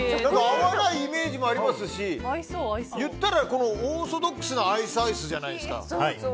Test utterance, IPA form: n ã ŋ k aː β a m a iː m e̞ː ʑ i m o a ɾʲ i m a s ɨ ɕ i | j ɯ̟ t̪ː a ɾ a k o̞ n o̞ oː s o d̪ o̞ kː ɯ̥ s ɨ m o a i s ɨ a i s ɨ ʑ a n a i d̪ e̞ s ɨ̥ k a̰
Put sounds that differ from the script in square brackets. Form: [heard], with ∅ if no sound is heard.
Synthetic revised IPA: n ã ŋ k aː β a [n] a iː m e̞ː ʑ i m o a ɾʲ i m a s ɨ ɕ i | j ɯ̟ t̪ː a ɾ a k o̞ n o̞ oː s o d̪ o̞ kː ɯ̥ s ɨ [n] o a i s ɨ a i s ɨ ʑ a n a i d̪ e̞ s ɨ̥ k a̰